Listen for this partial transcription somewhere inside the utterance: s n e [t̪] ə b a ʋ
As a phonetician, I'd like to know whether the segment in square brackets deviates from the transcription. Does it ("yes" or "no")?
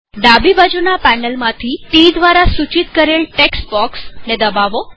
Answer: yes